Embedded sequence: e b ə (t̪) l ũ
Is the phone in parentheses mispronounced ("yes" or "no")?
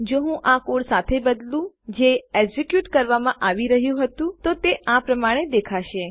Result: yes